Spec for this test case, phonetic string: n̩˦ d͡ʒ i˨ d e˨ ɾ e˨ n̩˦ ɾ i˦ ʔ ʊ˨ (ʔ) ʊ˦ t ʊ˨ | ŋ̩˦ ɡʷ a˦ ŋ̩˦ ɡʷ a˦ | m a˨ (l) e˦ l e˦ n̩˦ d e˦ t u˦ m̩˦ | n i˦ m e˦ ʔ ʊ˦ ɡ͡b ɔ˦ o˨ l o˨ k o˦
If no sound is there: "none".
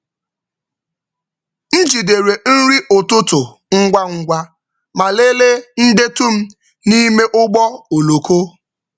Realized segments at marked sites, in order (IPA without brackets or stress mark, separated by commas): t, l